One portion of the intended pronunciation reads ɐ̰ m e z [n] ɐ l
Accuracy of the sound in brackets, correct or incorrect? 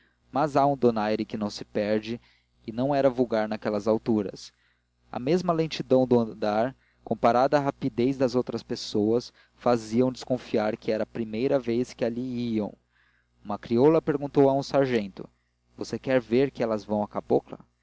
incorrect